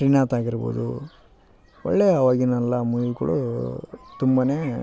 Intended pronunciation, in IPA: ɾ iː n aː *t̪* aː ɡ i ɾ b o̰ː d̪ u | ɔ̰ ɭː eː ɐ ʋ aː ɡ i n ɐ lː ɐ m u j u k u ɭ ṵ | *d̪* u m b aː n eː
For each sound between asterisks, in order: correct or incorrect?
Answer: correct, incorrect: t̪

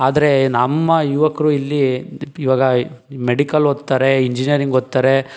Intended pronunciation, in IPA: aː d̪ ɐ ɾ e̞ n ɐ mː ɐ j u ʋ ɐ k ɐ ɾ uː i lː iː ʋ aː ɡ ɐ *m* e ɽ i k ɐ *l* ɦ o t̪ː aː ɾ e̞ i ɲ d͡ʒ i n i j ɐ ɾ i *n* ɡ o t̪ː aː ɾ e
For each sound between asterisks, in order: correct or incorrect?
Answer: correct, correct, incorrect: ŋ

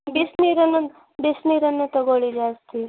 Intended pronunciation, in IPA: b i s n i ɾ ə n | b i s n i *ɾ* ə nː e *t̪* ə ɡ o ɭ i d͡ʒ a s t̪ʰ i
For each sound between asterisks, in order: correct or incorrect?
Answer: correct, correct

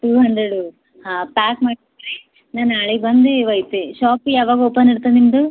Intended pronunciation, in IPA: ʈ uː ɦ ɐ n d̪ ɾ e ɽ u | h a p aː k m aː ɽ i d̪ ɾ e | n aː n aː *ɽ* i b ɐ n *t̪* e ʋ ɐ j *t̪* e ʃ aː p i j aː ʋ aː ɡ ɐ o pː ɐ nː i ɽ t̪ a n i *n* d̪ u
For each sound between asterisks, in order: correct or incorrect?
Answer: incorrect: ɭ, incorrect: d̪, correct, incorrect: m

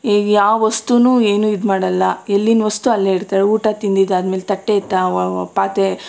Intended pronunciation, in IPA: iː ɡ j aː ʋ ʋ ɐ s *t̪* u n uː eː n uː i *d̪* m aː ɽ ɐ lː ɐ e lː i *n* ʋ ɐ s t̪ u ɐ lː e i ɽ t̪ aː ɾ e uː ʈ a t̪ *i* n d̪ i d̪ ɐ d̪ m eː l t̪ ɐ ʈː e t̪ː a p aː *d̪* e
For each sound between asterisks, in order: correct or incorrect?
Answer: correct, correct, correct, correct, incorrect: t̪

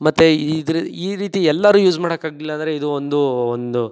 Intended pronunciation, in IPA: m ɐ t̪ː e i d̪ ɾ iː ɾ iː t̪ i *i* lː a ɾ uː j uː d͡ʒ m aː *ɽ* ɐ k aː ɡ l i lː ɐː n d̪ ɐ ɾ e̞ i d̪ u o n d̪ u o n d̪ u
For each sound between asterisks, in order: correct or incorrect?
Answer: incorrect: ɛ, correct

